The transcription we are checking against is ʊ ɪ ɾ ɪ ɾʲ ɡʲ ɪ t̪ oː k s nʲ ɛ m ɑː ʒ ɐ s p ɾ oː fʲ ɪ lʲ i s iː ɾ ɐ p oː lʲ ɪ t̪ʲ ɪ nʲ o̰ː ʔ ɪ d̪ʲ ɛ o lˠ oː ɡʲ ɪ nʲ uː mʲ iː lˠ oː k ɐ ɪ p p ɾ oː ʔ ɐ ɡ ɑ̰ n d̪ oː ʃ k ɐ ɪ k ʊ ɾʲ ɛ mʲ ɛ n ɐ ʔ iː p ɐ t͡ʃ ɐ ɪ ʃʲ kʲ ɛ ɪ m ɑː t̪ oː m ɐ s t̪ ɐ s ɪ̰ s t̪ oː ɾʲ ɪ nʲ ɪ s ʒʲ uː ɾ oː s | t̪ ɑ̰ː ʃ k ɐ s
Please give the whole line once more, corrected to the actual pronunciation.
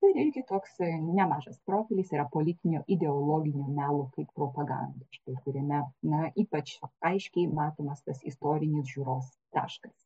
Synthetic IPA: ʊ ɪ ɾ ɪ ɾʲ ɡʲ ɪ t̪ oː k s nʲ ɛ m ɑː ʒ ɐ s p ɾ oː fʲ ɪ lʲ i s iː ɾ ɐ p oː lʲ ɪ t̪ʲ ɪ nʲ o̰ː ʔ ɪ d̪ʲ ɛ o lˠ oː ɡʲ ɪ nʲ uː mʲ æː lˠ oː k ɐ ɪ p p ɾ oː p ɐ ɡ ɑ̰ n d̪ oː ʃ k ɐ ɪ k ʊ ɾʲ ɛ mʲ ɛ n ɐ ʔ iː p ɐ t͡ʃ ɐ ɪ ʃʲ kʲ ɛ ɪ m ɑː t̪ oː m ɐ s t̪ ɐ s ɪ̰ s t̪ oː ɾʲ ɪ nʲ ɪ s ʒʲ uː ɾ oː s | t̪ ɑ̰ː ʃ k ɐ s